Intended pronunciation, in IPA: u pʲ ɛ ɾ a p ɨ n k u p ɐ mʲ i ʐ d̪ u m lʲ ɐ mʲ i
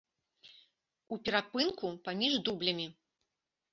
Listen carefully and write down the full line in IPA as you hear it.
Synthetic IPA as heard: u pʲ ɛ ɾ a p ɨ n k u p a mʲ i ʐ d̪ u b lʲ ɐ mʲ i